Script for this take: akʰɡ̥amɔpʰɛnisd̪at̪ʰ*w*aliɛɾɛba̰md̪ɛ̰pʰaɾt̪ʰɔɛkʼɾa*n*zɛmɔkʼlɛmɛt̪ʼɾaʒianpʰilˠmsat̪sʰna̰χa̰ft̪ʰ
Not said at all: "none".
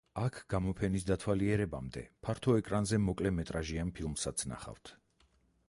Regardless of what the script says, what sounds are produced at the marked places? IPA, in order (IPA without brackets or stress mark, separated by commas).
w, n